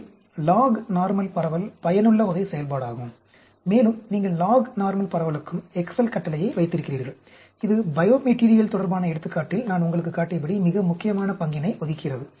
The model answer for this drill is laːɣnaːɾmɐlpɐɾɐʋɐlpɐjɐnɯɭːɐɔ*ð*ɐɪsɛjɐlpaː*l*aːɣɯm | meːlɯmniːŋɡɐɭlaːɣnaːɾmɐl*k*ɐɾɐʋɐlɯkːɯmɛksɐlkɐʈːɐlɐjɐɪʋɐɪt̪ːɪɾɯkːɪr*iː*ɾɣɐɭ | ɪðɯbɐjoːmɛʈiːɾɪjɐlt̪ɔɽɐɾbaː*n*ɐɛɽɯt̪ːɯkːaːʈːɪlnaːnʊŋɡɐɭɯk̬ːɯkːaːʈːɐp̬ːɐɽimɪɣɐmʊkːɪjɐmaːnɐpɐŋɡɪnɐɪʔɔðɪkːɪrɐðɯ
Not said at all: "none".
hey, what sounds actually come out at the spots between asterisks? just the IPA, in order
ð, ɽ, p, iː, n

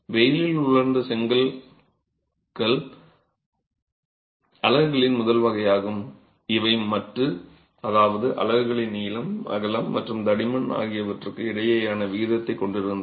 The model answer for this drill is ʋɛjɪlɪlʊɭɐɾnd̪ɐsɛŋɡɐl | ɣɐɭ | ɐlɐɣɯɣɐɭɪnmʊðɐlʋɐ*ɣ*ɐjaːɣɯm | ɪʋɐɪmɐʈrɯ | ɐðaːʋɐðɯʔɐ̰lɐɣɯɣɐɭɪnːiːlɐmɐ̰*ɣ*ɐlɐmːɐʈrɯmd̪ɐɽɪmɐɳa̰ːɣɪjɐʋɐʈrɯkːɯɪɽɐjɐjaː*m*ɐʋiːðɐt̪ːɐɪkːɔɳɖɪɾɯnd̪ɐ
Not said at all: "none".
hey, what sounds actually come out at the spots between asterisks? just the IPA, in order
ɣ, ɣ, n

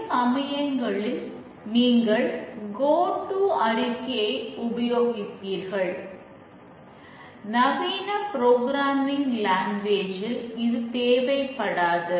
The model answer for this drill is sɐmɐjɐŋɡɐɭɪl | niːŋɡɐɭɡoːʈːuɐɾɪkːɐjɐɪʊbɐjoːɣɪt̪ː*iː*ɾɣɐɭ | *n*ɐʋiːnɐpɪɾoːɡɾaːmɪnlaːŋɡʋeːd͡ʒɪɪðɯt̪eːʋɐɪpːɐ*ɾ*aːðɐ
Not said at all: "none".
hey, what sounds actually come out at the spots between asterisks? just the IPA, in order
iː, n, ɽ

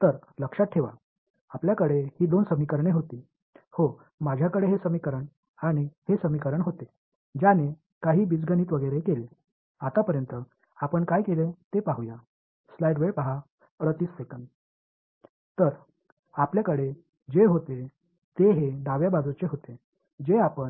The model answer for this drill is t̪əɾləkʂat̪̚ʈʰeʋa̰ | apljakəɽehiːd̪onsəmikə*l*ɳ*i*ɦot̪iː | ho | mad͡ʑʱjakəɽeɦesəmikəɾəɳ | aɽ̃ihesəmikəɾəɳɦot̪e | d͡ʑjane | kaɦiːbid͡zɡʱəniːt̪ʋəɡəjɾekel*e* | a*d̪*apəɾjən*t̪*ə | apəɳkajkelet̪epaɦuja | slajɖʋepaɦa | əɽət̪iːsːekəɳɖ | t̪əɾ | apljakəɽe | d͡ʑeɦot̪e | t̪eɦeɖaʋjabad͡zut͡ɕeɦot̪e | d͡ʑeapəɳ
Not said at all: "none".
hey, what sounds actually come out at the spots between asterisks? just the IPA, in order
ɾ, e, e, t̪, t̪

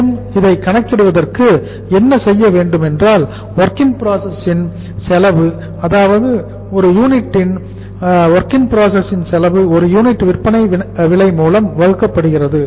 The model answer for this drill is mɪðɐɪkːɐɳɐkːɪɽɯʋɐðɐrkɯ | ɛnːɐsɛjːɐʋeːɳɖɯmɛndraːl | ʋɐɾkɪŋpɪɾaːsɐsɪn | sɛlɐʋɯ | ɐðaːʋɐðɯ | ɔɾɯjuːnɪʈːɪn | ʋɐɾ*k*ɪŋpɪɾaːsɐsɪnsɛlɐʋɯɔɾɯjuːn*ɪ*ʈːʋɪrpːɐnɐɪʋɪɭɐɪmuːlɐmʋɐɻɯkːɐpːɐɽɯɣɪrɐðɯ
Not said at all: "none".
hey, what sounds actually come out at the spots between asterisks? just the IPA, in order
k, ɪ

